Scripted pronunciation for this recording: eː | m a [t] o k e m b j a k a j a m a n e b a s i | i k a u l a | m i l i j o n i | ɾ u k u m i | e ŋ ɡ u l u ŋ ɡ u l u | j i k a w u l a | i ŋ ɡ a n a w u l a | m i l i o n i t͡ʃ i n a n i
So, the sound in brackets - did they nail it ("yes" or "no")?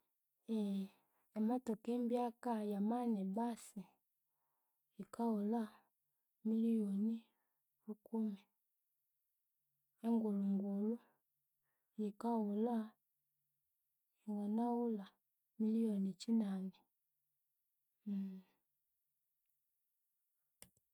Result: yes